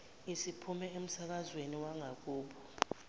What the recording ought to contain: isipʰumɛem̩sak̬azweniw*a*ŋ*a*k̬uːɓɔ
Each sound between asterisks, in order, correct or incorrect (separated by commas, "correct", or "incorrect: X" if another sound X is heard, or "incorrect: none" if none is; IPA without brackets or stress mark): correct, correct